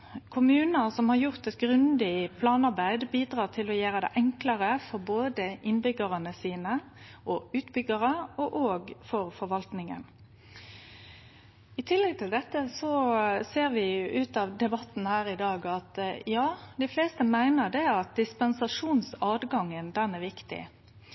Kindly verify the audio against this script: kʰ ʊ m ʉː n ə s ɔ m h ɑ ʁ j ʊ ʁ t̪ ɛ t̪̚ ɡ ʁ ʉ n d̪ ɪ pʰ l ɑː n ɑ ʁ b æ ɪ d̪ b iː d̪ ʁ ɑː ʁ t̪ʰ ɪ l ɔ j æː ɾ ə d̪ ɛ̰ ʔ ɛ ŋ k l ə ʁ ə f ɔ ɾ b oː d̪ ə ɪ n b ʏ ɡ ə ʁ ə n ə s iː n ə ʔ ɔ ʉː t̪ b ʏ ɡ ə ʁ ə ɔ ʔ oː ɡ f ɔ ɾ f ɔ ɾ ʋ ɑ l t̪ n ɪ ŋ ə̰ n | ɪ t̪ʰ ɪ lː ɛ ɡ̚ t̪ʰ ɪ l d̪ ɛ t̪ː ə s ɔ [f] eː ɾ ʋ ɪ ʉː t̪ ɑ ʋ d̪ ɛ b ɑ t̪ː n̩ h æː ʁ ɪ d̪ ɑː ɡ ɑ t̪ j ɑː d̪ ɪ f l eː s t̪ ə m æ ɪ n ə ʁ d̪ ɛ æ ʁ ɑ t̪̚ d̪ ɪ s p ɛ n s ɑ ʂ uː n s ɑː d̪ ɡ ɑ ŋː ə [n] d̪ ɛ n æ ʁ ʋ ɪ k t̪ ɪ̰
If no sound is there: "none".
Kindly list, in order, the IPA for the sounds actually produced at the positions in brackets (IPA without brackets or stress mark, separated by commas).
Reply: s, n